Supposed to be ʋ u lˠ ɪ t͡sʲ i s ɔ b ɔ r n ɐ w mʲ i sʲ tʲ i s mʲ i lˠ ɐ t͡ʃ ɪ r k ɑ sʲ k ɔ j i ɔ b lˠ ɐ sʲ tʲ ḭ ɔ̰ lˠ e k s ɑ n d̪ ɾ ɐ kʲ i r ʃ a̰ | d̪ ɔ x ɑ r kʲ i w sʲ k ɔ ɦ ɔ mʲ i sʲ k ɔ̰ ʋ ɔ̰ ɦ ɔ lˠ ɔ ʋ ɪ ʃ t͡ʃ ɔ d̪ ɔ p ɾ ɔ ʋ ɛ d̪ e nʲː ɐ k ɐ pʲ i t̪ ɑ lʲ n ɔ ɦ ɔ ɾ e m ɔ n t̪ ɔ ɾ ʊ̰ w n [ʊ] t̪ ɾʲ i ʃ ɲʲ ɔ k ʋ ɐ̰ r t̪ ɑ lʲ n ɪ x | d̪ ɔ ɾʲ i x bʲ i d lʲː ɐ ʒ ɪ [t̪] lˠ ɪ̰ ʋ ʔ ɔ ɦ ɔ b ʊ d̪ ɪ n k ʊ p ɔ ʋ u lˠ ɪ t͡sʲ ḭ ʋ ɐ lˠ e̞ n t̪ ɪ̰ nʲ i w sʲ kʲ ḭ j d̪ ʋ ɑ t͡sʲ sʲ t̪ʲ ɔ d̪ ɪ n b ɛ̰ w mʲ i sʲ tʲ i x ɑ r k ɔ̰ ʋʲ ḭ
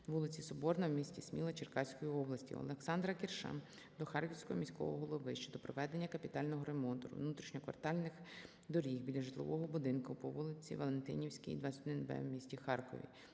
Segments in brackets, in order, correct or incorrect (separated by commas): incorrect, correct